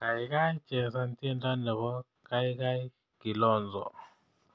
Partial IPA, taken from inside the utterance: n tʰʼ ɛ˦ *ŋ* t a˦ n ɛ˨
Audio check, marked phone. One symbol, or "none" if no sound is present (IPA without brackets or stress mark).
n